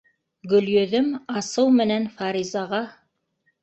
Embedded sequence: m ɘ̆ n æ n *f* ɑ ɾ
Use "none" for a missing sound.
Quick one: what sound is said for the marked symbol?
f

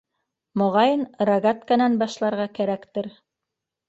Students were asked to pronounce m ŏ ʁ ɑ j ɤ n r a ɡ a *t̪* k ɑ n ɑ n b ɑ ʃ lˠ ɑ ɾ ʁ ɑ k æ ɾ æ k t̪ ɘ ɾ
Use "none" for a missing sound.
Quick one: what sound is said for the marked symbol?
t̪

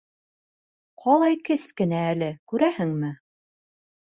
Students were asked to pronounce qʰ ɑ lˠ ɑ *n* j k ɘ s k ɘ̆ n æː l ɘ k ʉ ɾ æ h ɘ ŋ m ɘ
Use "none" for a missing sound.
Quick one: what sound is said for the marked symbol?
none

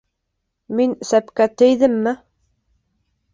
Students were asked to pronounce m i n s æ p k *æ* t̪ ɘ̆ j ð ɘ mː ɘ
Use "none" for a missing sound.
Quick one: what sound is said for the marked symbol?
æ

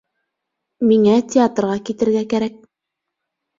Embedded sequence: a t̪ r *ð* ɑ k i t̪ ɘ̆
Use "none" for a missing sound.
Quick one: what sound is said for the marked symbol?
ʁ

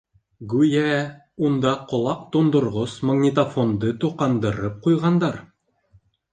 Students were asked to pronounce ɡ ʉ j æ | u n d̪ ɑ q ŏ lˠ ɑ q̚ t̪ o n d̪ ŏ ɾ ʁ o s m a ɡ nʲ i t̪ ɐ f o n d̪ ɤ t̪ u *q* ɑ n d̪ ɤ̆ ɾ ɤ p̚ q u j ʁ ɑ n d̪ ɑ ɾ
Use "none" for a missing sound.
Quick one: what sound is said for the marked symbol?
q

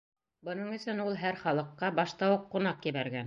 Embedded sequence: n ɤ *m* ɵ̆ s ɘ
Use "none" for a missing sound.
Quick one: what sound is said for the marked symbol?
ɴ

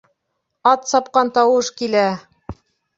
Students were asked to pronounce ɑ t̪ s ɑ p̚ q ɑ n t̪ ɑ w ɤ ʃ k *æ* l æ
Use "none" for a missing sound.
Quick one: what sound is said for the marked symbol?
i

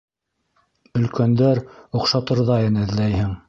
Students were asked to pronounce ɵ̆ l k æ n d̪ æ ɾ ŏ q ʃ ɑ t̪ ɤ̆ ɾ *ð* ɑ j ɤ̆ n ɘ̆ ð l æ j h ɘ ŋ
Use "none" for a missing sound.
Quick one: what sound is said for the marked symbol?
ð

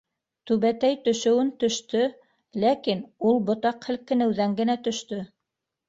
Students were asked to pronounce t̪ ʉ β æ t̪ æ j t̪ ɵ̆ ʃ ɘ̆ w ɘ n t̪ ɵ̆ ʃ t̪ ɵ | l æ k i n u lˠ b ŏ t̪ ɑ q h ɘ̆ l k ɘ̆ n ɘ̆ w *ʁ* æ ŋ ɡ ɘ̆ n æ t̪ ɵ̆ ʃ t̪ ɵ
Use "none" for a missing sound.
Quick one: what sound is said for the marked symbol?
ð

